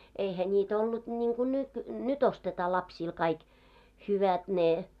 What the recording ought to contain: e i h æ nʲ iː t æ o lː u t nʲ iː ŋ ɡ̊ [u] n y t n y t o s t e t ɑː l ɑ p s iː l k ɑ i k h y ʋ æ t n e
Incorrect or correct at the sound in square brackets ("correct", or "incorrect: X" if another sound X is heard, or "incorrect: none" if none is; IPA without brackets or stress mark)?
correct